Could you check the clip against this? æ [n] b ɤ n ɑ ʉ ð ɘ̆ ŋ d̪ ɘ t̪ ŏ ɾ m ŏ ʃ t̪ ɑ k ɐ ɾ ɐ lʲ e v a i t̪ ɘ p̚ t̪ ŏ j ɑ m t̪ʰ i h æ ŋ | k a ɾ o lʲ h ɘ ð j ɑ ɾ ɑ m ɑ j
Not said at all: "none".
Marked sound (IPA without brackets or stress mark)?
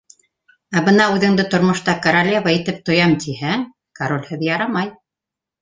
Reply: none